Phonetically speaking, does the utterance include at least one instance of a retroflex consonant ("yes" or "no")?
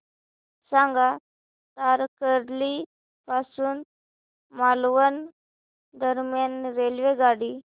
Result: yes